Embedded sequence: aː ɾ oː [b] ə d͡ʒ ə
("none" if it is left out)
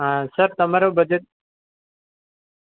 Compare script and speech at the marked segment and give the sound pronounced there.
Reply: b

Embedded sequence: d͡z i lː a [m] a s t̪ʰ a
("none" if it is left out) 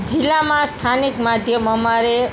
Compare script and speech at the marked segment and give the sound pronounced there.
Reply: m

